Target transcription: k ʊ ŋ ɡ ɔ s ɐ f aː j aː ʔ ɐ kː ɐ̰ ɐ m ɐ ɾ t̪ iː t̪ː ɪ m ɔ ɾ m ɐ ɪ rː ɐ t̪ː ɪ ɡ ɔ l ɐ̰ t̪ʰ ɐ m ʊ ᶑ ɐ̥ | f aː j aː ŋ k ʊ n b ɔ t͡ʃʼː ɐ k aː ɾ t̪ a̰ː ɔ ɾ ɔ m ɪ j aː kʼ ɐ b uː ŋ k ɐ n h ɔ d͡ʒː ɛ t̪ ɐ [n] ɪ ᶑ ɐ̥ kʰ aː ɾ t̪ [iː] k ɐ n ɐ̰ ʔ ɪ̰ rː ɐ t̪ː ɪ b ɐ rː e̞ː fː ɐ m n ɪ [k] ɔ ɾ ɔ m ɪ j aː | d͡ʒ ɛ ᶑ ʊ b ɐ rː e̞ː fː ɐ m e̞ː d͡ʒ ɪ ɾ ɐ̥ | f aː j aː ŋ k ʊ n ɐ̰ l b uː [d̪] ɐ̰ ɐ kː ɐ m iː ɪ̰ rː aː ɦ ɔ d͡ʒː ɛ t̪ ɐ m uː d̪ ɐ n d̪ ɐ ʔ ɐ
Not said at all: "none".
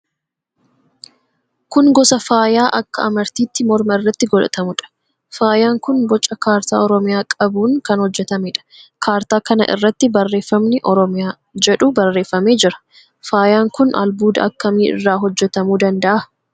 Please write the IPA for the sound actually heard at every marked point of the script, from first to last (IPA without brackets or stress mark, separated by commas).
m, aː, ʔ, d̪